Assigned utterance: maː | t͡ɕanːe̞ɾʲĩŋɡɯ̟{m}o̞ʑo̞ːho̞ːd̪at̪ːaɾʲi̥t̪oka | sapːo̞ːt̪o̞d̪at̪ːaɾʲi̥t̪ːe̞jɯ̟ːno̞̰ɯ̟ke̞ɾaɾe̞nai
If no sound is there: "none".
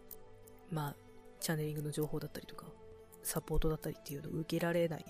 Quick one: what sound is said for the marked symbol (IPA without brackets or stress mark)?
n